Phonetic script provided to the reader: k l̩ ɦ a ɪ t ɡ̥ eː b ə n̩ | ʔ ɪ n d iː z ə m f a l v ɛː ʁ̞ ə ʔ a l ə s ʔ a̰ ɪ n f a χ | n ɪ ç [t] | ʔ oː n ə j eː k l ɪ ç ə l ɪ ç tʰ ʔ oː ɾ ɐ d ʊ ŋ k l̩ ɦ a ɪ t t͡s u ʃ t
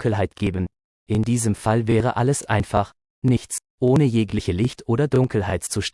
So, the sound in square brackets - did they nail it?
no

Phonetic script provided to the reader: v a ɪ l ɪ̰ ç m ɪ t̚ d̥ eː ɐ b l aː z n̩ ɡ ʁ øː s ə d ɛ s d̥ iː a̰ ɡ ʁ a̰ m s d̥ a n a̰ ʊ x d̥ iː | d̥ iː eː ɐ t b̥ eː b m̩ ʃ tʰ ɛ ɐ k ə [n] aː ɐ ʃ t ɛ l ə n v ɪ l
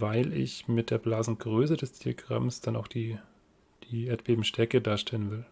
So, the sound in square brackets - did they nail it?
no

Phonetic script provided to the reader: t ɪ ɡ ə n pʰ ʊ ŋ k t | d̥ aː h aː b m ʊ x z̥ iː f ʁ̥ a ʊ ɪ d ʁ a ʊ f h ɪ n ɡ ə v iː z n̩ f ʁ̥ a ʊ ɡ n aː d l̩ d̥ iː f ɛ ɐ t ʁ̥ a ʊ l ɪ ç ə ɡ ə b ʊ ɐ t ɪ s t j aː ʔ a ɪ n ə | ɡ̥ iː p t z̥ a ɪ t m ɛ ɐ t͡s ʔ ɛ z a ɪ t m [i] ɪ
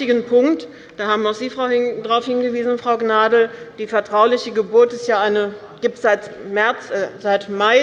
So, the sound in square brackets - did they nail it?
no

